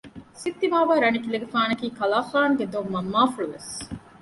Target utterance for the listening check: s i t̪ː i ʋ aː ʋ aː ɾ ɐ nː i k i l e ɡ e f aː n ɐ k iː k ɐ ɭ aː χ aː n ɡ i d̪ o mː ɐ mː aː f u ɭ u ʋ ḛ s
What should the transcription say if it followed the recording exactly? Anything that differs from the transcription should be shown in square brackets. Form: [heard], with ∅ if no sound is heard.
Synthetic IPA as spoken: s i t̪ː i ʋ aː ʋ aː ɾ ɐ [n] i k i l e ɡ e f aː n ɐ k iː k ɐ [l] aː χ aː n ɡ [e] d̪ o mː ɐ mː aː f u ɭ u ʋ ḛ s